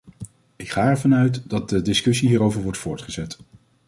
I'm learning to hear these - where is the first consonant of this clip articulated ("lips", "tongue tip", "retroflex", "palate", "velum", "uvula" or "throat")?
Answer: velum